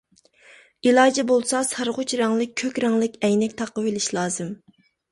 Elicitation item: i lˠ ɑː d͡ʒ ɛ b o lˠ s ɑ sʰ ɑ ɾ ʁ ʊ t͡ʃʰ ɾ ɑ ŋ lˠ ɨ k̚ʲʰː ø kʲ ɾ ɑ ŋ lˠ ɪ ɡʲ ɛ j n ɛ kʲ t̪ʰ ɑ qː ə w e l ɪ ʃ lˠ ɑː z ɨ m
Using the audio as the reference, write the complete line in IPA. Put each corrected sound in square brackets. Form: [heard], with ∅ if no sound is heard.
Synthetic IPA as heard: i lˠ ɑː d͡ʒ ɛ b o lˠ s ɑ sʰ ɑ ɾ ʁ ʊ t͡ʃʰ ɾ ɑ ŋ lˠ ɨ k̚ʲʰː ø kʲ ɾ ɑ ŋ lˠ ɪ [kʲ] ɛ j n ɛ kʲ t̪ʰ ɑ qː ə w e l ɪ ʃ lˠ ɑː z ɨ m